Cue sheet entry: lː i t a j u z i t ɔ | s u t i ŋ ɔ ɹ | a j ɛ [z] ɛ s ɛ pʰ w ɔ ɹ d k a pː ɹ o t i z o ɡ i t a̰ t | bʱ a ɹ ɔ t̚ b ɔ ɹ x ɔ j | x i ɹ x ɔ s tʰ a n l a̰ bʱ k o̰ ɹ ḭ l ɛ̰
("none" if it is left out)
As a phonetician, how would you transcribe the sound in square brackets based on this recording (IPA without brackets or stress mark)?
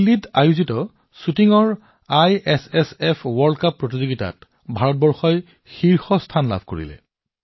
s